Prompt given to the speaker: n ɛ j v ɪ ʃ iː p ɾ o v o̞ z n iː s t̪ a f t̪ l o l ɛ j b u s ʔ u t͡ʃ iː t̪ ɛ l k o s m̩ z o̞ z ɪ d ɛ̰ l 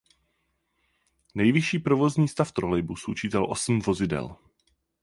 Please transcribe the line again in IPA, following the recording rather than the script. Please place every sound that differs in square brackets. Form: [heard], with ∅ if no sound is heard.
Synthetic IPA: n ɛ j v ɪ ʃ iː p ɾ o v o̞ z [ɲ] iː s t̪ a f t̪ [ɾ] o l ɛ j b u s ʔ u t͡ʃ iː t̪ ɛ l [ʔ] o s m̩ [v] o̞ z ɪ d ɛ̰ l